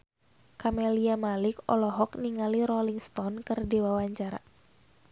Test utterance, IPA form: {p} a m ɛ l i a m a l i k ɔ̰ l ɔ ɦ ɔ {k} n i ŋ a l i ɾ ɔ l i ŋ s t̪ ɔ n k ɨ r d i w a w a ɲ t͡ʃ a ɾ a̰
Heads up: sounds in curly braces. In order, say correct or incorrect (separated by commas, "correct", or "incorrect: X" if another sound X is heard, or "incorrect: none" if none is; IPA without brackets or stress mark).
incorrect: k, correct